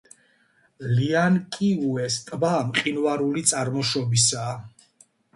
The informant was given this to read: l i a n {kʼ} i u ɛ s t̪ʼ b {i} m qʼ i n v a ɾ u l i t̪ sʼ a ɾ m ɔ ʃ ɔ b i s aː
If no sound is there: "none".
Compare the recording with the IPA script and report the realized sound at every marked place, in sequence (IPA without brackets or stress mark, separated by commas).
kʼ, a